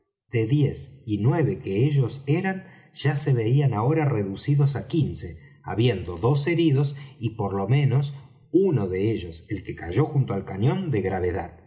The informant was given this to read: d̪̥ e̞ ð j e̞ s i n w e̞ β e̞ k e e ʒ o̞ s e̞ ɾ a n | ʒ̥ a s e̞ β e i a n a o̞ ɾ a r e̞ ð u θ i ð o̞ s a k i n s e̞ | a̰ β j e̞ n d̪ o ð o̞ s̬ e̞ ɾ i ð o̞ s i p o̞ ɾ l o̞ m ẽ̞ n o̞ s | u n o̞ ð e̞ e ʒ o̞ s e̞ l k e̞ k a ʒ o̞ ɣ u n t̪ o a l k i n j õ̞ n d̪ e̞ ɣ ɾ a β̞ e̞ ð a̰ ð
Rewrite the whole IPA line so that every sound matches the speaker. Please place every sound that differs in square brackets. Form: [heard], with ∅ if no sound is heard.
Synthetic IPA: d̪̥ e̞ ð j e̞ s i n w e̞ β e̞ k e e ʒ o̞ s e̞ ɾ a n | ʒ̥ a s e̞ β e i a n a o̞ ɾ a r e̞ ð u [s] i ð o̞ s a k i n s e̞ | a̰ β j e̞ n d̪ o ð o̞ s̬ e̞ ɾ i ð o̞ s i p o̞ ɾ l o̞ m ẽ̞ n o̞ s | u n o̞ ð e̞ e ʒ o̞ s e̞ l k e̞ k a ʒ o̞ [x] u n t̪ o a l k [a] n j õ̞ n d̪ e̞ ɣ ɾ a β̞ e̞ ð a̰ ð